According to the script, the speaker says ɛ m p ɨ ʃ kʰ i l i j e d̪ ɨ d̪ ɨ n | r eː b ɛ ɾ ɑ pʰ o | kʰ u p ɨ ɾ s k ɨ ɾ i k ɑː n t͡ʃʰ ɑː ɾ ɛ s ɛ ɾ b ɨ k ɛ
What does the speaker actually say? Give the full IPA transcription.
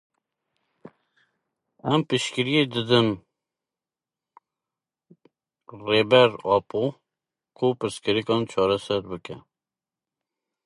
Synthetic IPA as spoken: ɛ m p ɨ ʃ k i ɾ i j e d̪ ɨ d̪ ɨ n | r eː b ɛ ɾ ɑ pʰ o | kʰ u p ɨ ɾ s k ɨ ɾ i k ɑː n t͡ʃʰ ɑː ɾ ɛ s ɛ ɾ b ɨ k ɛ